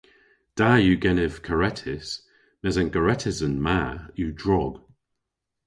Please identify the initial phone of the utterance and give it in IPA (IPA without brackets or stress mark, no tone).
d̥